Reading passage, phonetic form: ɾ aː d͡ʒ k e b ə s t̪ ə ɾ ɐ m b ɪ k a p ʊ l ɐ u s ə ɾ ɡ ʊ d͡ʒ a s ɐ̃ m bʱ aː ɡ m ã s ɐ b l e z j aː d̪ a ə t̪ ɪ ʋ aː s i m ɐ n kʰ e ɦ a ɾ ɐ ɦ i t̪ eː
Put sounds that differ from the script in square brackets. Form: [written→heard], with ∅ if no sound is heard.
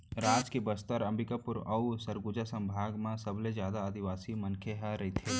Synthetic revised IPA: ɾ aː d͡ʒ k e b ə s t̪ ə ɾ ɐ m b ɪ k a p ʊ [l→ɾ] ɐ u s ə ɾ ɡ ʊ d͡ʒ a s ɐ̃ m bʱ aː ɡ m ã s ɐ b l e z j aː d̪ a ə [t̪→d̪] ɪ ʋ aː s i m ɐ n kʰ e ɦ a ɾ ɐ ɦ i [t̪→t̪ʰ] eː

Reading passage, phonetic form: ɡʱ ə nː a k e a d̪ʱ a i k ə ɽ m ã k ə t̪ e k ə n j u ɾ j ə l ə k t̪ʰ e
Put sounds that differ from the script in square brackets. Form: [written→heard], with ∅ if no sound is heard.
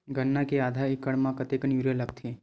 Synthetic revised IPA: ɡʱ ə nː a k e a d̪ʱ a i k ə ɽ m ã k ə t̪ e k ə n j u ɾ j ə l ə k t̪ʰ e

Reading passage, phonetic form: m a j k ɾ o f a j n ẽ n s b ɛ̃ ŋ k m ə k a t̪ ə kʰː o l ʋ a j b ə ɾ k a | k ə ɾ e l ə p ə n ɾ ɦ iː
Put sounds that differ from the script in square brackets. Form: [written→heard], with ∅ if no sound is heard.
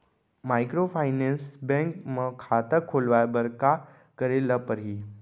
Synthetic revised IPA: m a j k ɾ o f a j n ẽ n s b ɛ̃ ŋ k m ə [k→kʰ] a t̪ ə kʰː o l ʋ a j b ə ɾ k a | k ə ɾ e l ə p ə [n→∅] ɾ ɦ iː

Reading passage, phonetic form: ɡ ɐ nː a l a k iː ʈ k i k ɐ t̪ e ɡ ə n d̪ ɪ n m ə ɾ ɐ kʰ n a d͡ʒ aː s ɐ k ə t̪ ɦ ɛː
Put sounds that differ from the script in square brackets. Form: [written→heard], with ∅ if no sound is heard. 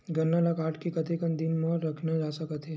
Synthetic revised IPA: ɡ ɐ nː a l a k [iː→aː] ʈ k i k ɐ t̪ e [ɡ→k] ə n d̪ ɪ n m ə ɾ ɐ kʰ n a d͡ʒ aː s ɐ k ə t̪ ɦ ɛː

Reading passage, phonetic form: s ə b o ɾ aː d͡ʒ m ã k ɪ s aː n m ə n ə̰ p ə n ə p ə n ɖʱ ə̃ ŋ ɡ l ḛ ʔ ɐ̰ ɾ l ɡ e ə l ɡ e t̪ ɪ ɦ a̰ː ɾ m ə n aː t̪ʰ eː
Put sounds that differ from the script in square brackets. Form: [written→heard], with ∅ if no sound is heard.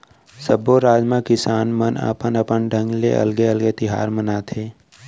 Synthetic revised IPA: s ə b o ɾ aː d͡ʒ m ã k ɪ s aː n m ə n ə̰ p ə n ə p ə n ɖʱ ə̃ ŋ ɡ l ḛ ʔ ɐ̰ [ɾ→∅] l ɡ e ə l ɡ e t̪ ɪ ɦ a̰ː ɾ m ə n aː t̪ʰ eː

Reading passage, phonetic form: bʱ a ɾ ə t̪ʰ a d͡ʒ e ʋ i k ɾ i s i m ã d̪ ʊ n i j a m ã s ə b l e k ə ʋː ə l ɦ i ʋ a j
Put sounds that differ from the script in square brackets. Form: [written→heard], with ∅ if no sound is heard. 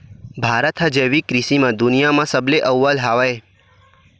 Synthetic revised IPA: bʱ a ɾ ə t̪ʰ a d͡ʒ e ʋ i k ɾ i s i m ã d̪ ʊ n i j a m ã s ə b l e [k→ʔ] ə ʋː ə l ɦ [i→a] ʋ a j

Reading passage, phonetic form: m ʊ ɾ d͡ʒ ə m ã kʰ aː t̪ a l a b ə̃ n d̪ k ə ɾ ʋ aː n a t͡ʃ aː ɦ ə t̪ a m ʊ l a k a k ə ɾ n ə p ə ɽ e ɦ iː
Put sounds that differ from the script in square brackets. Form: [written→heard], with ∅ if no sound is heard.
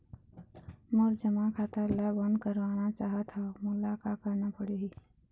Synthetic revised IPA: m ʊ ɾ d͡ʒ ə m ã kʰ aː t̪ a l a b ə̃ n d̪ k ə ɾ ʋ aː n a t͡ʃ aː ɦ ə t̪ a m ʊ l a k a k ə ɾ n [ə→a] p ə ɽ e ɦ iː

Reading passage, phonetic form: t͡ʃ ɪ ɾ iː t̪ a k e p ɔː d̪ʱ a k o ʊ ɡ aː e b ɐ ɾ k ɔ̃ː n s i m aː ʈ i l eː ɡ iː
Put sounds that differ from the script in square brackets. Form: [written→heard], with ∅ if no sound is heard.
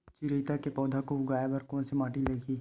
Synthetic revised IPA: t͡ʃ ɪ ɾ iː t̪ a k e p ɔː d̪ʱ a k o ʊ ɡ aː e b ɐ ɾ k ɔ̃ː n s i m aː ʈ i l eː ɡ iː

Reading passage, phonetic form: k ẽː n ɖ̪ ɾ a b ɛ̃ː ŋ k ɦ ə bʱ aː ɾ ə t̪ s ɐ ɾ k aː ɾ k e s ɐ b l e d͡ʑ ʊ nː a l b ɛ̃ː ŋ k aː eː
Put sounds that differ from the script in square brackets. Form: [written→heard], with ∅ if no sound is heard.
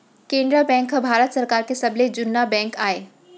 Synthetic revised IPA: k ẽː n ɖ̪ ɾ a b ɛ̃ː ŋ k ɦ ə bʱ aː ɾ ə t̪ s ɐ ɾ k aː ɾ k e s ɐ b l e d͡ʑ ʊ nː a [l→∅] b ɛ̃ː ŋ k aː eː

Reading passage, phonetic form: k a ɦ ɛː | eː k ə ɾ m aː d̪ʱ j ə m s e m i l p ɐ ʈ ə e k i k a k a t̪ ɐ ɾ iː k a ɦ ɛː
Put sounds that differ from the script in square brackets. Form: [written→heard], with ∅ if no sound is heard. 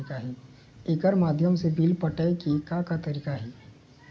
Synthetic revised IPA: k a ɦ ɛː | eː k ə ɾ m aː d̪ʱ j ə m s e [m→b] i l p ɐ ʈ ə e k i k a k a t̪ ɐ ɾ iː k a ɦ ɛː

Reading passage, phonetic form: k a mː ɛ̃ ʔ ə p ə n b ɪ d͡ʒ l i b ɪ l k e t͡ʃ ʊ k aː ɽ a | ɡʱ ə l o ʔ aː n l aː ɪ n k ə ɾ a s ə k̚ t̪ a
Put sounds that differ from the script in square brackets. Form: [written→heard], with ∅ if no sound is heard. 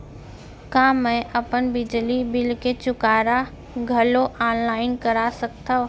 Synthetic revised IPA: k a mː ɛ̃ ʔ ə p ə n b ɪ d͡ʒ l i b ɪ l k e t͡ʃ ʊ k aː [ɽ→ɾ] a | ɡʱ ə l o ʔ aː n l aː ɪ n k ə ɾ a s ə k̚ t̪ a

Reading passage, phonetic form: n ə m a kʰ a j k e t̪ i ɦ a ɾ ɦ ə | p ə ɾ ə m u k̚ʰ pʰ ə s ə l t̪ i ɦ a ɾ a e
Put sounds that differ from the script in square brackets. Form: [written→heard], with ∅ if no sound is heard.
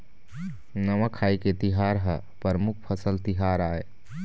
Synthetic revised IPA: n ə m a kʰ a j k e t̪ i ɦ a ɾ ɦ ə | p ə ɾ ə m u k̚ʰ pʰ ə s ə l t̪ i ɦ a ɾ a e

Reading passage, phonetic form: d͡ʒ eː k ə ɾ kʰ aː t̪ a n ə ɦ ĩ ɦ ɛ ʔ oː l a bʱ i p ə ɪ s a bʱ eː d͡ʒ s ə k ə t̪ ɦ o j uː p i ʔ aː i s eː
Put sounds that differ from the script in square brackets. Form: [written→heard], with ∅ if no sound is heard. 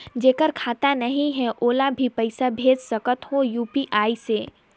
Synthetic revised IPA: d͡ʒ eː k ə ɾ kʰ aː t̪ a n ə ɦ ĩ ɦ ɛ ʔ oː l a bʱ i p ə ɪ s a bʱ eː d͡ʒ s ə k ə t̪ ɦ o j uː p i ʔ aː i s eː

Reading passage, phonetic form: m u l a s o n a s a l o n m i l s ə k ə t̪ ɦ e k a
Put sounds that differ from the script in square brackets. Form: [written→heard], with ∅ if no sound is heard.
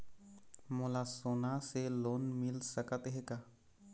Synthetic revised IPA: m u l a s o n a s [a→e] l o n m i l s ə k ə t̪ ɦ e k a

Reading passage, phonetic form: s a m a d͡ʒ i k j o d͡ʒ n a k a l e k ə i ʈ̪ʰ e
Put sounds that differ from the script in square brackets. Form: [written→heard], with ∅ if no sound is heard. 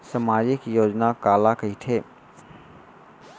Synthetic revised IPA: s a m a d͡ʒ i k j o d͡ʒ n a k a l [e→a] k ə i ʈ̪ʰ e

